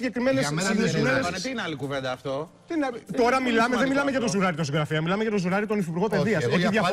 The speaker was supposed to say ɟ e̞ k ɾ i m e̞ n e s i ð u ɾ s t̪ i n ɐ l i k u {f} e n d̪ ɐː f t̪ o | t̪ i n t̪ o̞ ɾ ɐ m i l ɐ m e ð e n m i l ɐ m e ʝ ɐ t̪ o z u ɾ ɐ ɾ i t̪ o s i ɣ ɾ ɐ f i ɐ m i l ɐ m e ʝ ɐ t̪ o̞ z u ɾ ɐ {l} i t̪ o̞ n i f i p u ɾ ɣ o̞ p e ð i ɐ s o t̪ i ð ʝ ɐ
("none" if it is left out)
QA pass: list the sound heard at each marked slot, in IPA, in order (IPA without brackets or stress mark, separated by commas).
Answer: v, ɾ